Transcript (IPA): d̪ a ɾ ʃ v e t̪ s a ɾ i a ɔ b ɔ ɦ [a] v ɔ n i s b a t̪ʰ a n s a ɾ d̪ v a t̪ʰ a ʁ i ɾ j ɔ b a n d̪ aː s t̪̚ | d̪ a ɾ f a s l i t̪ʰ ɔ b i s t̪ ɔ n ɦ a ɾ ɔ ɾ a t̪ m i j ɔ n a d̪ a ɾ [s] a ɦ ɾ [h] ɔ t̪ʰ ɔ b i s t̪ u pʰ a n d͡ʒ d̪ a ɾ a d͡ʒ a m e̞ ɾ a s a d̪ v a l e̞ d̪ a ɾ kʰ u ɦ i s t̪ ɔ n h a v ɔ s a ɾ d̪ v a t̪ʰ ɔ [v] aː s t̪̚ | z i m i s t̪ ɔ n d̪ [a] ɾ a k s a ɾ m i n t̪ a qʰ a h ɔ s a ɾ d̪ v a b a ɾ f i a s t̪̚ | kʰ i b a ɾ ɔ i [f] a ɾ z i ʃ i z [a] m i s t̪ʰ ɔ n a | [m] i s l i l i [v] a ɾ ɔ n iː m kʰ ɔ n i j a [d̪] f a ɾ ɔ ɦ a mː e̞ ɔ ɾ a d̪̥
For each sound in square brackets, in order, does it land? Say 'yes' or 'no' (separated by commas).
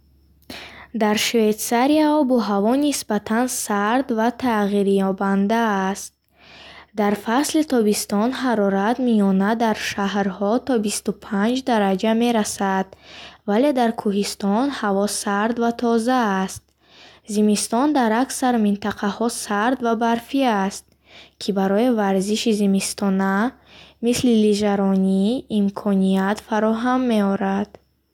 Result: yes, no, yes, no, yes, no, no, yes, no, no